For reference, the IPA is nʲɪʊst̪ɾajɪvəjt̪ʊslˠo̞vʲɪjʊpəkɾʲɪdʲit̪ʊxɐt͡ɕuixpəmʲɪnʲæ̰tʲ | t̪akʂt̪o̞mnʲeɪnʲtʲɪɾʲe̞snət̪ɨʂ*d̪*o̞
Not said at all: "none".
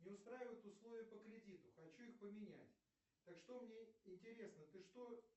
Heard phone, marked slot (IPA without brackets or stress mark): t̪